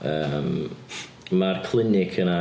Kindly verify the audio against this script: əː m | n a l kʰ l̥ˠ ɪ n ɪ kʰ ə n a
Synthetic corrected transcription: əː m | m a r kʰ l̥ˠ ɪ n ɪ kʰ ə n a

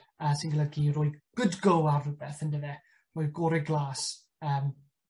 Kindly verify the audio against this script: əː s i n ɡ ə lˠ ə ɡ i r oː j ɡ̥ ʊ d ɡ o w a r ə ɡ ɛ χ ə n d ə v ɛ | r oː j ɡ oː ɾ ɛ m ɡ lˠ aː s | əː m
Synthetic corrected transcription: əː s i n ɡ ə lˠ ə ɡ i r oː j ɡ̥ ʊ d ɡ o w a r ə b ɛ θ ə n d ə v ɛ | r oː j ɡ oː ɾ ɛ ɡ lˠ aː s | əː m

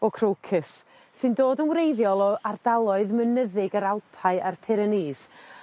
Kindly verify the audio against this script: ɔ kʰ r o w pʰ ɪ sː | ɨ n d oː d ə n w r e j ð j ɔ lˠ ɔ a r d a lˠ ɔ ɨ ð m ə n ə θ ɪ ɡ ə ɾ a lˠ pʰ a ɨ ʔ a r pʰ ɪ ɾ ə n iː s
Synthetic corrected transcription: ɔ kʰ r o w kʰ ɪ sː | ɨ n d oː d ə n w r e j ð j ɔ lˠ ɔ a r d a lˠ ɔ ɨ ð m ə n ə ð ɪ ɡ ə ɾ a lˠ pʰ a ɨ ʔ a r pʰ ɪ ɾ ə n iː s

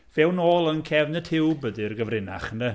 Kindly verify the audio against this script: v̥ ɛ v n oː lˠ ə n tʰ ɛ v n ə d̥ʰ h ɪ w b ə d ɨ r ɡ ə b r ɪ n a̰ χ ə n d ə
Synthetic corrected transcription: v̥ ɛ w n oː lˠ ə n kʰ ɛ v n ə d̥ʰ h ɪ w b ə d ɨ r ɡ ə v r ɪ n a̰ χ ə n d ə

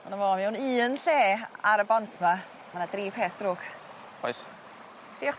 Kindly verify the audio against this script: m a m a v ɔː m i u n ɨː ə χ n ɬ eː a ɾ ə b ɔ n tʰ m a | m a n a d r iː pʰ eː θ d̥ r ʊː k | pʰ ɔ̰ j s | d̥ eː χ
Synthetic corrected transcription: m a n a v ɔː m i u n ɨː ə n ɬ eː a ɾ ə b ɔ n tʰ m a | m a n a d r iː pʰ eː θ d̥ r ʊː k | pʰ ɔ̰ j s | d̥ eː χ

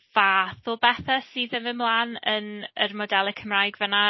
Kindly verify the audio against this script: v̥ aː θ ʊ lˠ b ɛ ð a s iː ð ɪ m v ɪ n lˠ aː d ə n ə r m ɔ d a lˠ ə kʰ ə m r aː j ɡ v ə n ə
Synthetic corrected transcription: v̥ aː θ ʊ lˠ b ɛ θ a s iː ð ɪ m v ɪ m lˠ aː n ə n ə r m ɔ d ɛ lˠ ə kʰ ə m r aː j ɡ v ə n a

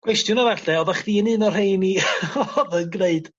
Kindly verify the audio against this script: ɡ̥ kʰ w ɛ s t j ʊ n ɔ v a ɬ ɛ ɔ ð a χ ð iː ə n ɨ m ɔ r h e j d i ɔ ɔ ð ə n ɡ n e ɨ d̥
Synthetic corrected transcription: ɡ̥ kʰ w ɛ s t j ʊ n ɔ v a ɬ ɛ ɔ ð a χ ð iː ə n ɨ n ɔ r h e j n i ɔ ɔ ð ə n ɡ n e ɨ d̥

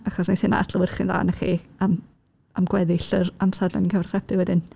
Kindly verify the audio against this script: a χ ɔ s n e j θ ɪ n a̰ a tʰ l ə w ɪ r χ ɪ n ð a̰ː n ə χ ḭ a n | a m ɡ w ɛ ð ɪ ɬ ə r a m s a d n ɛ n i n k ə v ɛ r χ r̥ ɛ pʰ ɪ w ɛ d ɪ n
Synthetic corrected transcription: a χ ɔ s n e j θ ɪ n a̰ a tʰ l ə w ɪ r χ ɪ n ð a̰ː n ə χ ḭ a m | a m ɡ w ɛ ð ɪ ɬ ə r a m s a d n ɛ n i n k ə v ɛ r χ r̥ ɛ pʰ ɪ w ɛ d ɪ n

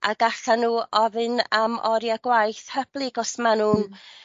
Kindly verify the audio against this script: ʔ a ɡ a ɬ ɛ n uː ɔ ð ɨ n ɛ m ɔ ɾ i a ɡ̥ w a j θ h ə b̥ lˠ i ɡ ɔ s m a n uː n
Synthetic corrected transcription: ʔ a ɡ a ɬ a n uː ɔ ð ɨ n a m ɔ ɾ j a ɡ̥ w a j θ h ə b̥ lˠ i ɡ ɔ s m a n uː n

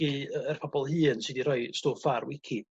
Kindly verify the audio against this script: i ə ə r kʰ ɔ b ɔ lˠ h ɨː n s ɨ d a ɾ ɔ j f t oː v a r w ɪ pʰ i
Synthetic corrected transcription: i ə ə r pʰ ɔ b ɔ lˠ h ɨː n s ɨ d i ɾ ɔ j s t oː f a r w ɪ kʰ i

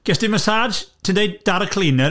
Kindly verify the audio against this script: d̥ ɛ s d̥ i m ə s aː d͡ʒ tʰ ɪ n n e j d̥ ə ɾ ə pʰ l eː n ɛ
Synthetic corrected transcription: ɡ̥ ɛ s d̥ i m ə s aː d͡ʒ tʰ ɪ n d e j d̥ a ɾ ə kʰ l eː n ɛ

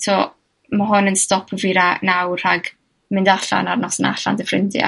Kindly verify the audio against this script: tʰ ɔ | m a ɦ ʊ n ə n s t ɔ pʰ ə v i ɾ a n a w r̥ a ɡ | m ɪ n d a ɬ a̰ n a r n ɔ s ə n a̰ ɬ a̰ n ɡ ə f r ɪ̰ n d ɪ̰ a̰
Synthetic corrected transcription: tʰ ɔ | m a ɦ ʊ n ə n s t ɔ pʰ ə v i ɾ a n a w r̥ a ɡ | m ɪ n d a ɬ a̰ n a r n ɔ s ə n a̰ ɬ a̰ n d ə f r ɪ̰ n d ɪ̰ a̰

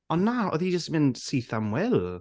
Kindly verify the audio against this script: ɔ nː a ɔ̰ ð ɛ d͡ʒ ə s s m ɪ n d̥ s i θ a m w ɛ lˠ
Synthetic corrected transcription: ɔ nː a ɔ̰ ð i d͡ʒ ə s t m ɪ n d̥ s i θ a m w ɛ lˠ

